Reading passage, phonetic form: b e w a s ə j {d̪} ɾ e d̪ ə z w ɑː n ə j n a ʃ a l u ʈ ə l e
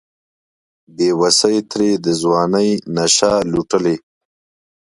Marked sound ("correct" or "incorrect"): incorrect